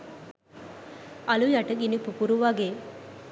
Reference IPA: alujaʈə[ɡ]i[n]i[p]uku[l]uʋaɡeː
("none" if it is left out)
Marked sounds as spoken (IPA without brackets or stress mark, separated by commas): ɡ, n, p, ɾ